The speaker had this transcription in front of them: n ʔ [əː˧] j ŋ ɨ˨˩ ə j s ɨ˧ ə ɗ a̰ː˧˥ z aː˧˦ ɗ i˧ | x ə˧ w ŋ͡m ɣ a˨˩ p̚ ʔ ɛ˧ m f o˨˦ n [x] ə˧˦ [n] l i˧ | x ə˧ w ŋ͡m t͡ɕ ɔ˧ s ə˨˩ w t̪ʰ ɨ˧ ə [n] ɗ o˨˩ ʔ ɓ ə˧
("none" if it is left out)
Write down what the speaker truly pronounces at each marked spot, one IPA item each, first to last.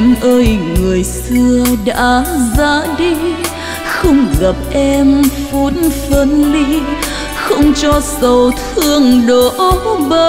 əː˧, f, n, ŋ

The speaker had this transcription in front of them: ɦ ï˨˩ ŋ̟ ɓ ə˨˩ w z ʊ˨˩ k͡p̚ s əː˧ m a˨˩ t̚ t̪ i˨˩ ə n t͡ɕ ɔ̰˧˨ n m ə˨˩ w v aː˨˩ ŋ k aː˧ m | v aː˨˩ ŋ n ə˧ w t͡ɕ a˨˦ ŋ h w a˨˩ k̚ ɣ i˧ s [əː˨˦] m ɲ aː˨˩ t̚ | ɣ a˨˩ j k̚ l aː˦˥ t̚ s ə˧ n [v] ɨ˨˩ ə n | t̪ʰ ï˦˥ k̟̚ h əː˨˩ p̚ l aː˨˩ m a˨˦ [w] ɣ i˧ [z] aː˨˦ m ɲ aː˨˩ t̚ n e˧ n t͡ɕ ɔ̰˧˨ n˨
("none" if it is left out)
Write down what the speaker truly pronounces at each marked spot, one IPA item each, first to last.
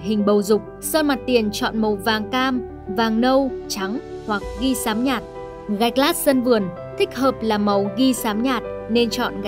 aː˨˦, v, w, s

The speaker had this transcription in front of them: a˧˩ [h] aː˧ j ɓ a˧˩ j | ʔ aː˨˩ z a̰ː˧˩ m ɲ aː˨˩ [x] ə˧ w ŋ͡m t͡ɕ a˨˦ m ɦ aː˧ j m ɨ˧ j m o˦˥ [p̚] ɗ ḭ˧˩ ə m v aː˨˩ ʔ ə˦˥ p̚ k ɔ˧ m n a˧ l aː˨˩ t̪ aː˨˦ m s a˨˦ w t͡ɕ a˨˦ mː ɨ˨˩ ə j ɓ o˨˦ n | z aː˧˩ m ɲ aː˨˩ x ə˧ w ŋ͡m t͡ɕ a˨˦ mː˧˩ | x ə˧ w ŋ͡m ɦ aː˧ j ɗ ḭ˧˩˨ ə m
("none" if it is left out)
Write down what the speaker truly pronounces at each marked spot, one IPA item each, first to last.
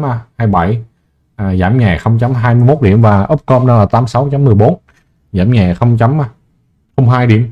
h, x, t̚

